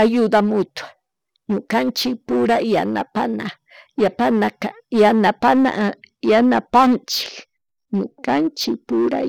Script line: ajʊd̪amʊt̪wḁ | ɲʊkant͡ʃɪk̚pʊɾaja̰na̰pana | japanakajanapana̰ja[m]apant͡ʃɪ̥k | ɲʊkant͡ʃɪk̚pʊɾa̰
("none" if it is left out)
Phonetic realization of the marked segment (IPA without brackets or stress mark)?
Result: n